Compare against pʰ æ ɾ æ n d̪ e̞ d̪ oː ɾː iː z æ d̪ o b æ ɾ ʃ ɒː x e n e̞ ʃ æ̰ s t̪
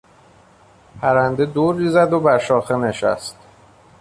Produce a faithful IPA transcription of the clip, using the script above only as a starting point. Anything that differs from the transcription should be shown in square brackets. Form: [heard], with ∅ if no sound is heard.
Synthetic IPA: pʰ æ ɾ æ n d̪ e̞ d̪ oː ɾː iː z æ d̪ o b æ ɾ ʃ ɒː x e n e̞ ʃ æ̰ s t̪